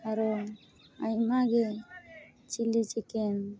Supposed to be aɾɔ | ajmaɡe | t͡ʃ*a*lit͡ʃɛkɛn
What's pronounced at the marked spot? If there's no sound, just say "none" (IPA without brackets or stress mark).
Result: i